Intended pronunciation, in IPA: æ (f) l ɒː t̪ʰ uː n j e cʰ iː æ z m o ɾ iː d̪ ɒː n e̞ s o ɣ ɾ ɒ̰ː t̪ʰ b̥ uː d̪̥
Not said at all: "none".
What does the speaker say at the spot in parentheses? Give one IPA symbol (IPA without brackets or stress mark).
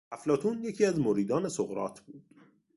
f